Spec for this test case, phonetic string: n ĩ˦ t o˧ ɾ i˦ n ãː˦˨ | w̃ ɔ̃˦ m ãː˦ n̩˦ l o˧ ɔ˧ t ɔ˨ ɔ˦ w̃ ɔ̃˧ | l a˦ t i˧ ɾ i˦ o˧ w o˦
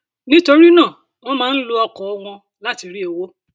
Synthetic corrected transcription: n ĩ˦ t o˧ ɾ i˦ n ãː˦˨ | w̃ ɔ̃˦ m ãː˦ n̩˦ l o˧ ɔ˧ k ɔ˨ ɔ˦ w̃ ɔ̃˧ | l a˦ t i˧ ɾ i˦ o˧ w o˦